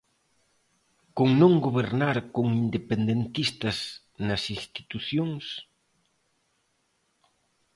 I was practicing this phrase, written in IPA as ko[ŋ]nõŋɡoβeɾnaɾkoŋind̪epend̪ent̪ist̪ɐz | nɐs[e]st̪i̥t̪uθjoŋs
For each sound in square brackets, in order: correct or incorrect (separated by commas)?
correct, incorrect